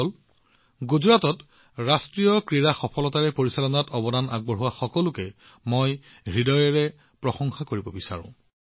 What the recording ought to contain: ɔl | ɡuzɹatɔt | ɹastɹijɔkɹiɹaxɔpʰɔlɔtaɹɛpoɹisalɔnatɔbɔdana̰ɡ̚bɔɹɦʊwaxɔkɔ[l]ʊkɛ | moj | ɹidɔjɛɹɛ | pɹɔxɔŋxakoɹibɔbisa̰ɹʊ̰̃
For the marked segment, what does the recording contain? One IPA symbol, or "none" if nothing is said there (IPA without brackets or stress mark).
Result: l